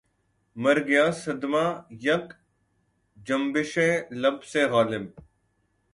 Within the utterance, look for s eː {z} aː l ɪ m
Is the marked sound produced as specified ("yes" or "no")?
no